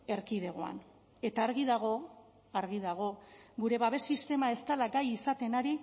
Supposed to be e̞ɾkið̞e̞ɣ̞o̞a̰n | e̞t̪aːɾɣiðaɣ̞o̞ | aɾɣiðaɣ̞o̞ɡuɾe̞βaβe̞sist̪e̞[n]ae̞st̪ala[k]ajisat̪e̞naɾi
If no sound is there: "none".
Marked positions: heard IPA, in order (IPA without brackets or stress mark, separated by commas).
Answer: m, ɡ